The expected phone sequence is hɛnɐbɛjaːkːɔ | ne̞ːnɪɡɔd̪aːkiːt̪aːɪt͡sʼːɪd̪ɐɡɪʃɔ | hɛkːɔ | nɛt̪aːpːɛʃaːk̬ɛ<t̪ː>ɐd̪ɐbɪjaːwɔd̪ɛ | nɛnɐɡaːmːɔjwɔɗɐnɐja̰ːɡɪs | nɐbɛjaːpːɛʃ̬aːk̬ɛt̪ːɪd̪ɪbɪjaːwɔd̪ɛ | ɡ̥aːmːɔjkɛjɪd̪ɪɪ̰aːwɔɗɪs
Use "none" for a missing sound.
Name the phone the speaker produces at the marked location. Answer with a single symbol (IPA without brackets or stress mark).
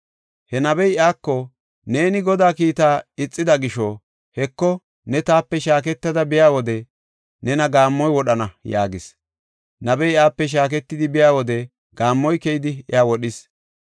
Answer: t̪ː